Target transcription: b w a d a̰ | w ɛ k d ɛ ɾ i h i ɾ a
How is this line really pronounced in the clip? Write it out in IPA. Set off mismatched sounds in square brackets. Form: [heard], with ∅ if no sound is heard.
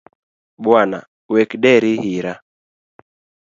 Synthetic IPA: b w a [n] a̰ | w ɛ k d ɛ ɾ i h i ɾ a

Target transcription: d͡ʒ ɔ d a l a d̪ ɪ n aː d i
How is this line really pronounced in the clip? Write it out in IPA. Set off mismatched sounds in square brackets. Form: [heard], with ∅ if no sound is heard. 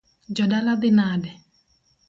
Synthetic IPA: d͡ʒ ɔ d a l a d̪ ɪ n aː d [ɛ]

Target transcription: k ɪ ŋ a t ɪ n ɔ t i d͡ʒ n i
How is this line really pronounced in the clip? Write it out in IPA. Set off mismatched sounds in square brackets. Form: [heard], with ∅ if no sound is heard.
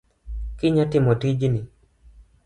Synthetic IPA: k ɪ [ɲ] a t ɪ [m] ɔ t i d͡ʒ n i

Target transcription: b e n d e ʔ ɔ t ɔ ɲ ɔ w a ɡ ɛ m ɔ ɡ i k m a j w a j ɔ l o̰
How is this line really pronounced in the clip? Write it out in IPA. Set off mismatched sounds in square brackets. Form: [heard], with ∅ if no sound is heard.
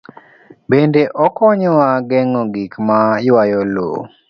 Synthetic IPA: b e n d e ʔ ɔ [k] ɔ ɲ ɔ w a ɡ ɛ [ŋ] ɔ ɡ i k m a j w a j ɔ l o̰

